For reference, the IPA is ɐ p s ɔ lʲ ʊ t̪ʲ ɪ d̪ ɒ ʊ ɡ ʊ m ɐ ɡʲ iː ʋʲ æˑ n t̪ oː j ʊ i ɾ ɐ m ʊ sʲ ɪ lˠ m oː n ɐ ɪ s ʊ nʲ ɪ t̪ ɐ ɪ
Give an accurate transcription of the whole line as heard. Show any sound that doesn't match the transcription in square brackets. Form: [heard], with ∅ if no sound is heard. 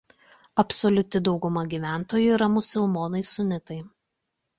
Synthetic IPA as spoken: ɐ p s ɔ lʲ ʊ t̪ʲ ɪ d̪ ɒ ʊ ɡ ʊ m ɐ ɡʲ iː ʋʲ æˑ n t̪ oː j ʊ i ɾ ɐ m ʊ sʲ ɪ lˠ m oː n ɐ ɪ s ʊ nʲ ɪ t̪ ɐ ɪ